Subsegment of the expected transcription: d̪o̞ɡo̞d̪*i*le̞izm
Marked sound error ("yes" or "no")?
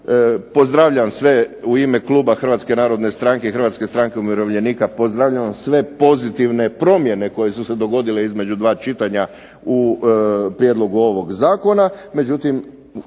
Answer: no